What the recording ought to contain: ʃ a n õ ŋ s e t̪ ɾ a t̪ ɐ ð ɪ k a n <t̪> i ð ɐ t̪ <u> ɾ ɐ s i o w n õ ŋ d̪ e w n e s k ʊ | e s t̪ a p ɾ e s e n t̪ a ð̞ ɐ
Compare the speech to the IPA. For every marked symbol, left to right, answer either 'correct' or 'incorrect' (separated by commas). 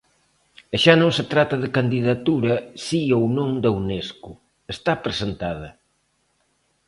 incorrect, correct